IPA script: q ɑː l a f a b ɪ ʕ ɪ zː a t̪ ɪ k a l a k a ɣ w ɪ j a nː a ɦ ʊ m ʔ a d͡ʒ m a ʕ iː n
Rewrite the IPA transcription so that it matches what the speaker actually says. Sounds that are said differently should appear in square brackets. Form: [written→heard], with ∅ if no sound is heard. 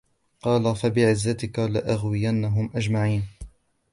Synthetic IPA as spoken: q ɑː l a f a b ɪ ʕ ɪ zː a t̪ ɪ k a l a [k→ʔ] a ɣ w ɪ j a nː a ɦ ʊ m ʔ a d͡ʒ m a ʕ iː n